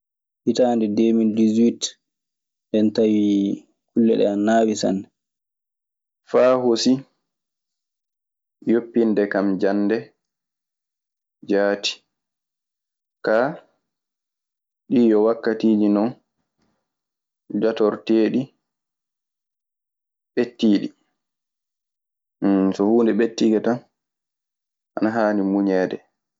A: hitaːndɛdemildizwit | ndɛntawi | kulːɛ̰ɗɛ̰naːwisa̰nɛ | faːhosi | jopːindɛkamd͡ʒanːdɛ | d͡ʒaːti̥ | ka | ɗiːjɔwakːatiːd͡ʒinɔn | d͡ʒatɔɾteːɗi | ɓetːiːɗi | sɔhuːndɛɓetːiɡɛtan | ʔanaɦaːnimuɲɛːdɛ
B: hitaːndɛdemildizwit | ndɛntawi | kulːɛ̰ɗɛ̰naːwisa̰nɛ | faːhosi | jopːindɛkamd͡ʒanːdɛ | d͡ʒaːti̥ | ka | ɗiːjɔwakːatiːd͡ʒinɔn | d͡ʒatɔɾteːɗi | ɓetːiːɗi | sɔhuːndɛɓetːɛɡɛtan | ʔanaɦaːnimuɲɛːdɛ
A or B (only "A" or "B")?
A